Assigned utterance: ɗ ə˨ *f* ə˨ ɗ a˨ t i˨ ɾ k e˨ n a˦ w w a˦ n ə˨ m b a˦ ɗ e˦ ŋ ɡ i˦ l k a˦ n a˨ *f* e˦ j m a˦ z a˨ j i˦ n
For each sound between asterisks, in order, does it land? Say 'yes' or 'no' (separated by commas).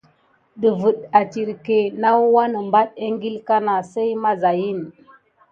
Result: no, no